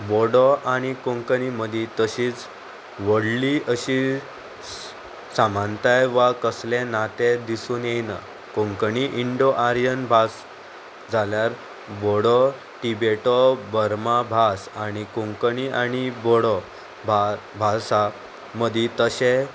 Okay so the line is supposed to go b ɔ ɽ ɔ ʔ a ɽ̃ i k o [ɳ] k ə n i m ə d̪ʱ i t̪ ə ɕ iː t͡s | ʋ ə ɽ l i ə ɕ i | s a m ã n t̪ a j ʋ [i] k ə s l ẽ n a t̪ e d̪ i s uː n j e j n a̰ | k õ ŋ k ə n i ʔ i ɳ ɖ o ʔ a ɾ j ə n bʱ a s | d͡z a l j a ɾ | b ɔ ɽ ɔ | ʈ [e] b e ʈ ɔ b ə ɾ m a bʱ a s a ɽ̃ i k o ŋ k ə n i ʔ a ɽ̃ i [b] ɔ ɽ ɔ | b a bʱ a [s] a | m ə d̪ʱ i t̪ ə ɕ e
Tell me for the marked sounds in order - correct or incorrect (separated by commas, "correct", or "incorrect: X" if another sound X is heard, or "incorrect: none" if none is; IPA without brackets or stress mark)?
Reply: incorrect: ŋ, incorrect: a, incorrect: i, correct, correct